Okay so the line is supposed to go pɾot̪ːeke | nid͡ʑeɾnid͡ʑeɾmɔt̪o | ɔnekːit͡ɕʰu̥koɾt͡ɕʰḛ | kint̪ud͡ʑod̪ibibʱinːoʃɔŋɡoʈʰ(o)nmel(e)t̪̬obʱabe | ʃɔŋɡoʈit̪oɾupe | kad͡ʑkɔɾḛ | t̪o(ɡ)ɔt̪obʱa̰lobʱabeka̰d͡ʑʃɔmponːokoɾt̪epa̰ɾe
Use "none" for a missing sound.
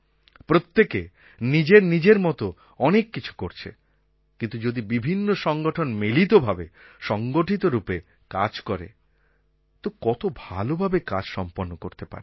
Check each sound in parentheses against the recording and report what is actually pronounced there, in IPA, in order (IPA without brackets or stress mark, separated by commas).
o, i, k